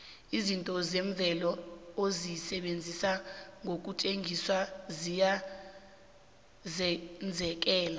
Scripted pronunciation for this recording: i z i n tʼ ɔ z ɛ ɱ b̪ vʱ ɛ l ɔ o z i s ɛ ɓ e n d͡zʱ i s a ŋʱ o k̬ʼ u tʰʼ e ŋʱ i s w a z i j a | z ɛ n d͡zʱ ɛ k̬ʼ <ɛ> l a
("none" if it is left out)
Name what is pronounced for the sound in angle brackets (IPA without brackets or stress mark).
ɛː